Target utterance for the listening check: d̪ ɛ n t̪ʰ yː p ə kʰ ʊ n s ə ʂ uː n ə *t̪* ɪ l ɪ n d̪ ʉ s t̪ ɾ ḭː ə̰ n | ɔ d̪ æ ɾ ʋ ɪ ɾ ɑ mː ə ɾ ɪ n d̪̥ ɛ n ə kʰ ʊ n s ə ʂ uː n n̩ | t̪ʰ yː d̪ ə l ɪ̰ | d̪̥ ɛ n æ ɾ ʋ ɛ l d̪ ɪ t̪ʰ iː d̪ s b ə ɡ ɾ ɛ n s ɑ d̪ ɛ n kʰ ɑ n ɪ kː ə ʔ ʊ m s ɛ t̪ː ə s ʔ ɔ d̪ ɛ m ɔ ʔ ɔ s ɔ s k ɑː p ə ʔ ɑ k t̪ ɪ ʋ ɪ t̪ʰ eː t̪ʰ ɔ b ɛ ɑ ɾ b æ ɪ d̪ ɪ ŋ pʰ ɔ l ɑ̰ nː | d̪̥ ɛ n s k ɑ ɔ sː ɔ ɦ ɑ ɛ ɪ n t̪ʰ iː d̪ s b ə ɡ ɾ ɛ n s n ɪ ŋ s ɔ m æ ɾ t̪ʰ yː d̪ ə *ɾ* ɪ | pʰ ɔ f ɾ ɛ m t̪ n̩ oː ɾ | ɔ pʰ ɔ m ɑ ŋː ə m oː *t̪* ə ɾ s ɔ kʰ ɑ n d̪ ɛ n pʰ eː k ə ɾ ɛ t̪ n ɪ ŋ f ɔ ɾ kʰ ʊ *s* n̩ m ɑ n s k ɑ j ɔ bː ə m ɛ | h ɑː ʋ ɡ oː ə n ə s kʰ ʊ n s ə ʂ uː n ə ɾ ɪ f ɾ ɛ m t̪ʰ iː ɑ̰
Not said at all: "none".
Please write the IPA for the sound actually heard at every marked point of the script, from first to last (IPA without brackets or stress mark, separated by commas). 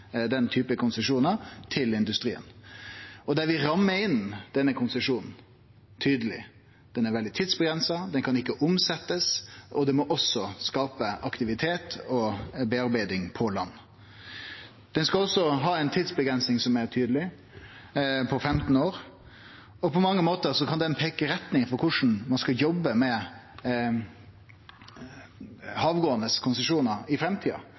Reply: t̪ʰ, l, t̪, ʂ